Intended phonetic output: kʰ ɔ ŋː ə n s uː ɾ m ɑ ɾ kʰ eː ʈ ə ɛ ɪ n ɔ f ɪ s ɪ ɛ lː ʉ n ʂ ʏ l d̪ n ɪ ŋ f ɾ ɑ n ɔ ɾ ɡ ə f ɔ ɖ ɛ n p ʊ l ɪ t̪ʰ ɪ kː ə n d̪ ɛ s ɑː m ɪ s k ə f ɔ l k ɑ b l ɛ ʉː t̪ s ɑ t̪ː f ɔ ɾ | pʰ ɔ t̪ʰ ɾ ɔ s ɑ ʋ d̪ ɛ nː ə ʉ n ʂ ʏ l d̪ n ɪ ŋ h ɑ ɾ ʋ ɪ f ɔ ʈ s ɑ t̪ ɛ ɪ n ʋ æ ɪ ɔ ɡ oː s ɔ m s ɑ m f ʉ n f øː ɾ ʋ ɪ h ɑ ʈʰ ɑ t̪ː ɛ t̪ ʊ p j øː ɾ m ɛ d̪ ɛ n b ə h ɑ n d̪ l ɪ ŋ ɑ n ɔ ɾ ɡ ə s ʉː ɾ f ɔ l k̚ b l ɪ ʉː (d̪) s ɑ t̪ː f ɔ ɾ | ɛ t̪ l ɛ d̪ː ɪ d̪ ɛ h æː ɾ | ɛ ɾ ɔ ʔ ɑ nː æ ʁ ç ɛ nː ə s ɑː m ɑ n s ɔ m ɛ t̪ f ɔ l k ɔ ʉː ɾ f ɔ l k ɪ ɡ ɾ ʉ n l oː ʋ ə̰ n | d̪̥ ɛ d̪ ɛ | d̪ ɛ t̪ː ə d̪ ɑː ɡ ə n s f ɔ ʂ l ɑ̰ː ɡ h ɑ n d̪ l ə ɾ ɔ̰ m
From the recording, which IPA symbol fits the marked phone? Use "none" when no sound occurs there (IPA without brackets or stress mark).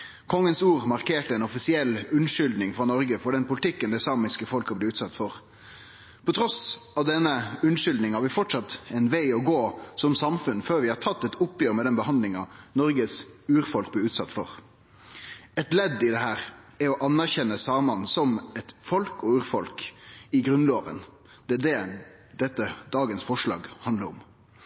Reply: t̪